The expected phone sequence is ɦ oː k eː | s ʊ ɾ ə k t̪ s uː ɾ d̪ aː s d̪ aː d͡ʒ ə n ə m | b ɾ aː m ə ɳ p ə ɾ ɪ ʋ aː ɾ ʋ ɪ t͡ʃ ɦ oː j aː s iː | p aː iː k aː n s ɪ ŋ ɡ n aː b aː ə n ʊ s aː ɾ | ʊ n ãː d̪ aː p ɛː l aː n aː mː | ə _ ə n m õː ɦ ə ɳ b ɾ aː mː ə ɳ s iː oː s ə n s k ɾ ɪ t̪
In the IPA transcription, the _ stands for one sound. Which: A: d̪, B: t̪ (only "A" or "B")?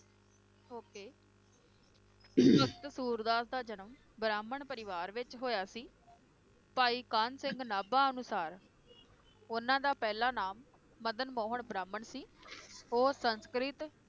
A